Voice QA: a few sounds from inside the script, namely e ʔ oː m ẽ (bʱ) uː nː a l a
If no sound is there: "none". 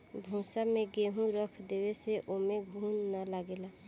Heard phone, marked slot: ɡʱ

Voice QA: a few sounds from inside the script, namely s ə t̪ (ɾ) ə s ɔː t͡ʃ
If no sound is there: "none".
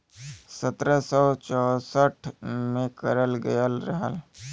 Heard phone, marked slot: ɾ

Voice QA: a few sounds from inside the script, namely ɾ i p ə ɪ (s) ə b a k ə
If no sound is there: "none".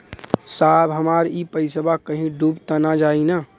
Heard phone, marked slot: s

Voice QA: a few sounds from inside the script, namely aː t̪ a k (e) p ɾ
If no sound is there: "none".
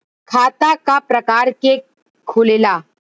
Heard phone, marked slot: a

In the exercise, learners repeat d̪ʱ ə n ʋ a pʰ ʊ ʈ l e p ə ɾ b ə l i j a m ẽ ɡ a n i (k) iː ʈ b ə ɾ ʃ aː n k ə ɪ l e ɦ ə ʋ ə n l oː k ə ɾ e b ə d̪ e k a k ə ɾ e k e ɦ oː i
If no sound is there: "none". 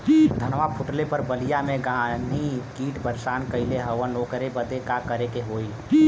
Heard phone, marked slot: k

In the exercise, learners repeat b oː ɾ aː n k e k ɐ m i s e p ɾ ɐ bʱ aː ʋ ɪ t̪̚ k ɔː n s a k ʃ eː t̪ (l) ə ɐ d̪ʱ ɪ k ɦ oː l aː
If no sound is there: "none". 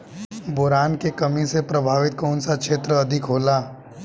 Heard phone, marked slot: ɾ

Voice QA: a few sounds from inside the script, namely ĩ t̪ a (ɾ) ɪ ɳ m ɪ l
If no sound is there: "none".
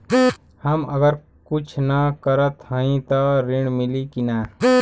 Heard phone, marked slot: ɾ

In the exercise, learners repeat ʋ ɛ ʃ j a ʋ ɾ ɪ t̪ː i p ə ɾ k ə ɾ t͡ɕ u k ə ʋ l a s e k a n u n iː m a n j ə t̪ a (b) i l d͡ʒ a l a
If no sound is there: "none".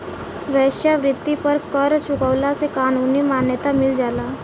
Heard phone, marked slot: m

